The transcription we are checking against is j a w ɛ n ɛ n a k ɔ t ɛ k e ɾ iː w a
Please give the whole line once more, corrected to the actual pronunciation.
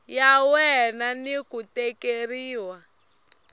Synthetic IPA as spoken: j a w ɛ n a n i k u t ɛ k e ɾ iː w a